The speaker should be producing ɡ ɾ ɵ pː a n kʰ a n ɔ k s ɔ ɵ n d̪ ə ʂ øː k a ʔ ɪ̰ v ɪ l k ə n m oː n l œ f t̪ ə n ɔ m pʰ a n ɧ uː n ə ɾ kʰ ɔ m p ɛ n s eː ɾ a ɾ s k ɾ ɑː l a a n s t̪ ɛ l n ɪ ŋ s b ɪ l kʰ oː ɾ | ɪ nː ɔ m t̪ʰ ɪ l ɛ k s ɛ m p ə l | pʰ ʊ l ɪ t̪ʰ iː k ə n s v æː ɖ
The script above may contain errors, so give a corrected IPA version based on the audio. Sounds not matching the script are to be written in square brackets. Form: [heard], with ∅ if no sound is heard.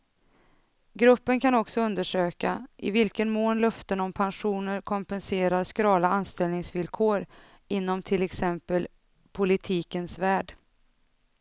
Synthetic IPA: ɡ ɾ ɵ pː [ə] n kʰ a n ɔ k s ɔ ɵ n d̪ ə ʂ øː k a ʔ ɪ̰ v ɪ l k ə n m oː n l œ f t̪ ə n ɔ m pʰ a n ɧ uː n ə ɾ kʰ ɔ m p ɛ n s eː ɾ a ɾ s k ɾ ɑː l a a n s t̪ ɛ l n ɪ ŋ s [v] ɪ l kʰ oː ɾ | ɪ nː ɔ m t̪ʰ ɪ l ɛ k s ɛ m p ə l | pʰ ʊ l ɪ t̪ʰ iː k ə n s v æː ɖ